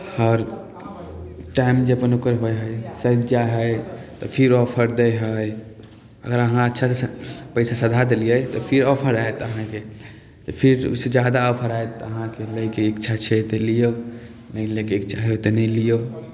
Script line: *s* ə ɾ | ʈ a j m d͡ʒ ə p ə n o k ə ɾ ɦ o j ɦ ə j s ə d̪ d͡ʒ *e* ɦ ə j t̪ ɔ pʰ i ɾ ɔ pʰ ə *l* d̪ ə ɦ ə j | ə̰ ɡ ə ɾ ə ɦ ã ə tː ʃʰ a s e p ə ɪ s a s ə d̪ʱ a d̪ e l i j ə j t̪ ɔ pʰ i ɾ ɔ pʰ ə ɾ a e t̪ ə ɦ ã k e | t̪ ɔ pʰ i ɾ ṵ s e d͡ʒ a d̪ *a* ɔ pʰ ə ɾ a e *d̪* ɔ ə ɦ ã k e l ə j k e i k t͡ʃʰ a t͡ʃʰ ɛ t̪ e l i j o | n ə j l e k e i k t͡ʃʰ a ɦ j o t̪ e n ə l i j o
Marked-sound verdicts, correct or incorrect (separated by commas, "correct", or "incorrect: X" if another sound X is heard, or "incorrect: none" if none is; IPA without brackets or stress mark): incorrect: h, incorrect: a, incorrect: ɾ, correct, incorrect: t̪